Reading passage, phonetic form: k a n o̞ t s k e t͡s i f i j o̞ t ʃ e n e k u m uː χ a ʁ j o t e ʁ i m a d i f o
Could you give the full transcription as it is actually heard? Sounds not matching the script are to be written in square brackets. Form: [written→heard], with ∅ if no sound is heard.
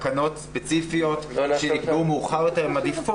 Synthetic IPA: k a n o̞ t s [k→p] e t͡s i f i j o̞ t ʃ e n [e→i] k u m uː χ a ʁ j o t e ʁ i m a d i f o